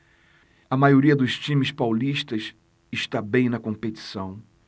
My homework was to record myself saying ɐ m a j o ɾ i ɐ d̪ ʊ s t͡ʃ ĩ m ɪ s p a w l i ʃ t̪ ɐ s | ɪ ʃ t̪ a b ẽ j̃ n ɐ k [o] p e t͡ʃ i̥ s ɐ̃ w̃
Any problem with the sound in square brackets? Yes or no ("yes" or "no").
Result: yes